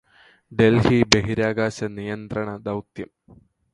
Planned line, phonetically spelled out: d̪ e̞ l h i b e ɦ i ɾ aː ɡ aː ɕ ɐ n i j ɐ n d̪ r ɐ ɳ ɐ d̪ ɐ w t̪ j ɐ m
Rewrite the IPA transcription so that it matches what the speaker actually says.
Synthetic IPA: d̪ e̞ l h i b e ɦ i ɾ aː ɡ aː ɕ ɐ n i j ɐ n d̪ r ɐ ɳ ɐ d̪ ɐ w t̪ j ɐ m